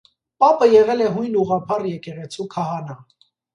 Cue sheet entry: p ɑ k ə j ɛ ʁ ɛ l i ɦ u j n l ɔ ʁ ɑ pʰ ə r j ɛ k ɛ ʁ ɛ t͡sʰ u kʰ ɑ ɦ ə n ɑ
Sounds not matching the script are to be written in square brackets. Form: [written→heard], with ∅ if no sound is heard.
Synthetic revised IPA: p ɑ [k→p] ə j ɛ ʁ ɛ l [i→ɛ] ɦ u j n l [ɔ→u] ʁ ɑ pʰ [ə→ɑ] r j ɛ k ɛ ʁ ɛ t͡sʰ u kʰ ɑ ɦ [ə→ɑ] n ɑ